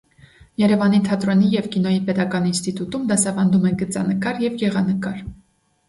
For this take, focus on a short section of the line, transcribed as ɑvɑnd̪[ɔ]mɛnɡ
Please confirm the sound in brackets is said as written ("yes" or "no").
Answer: no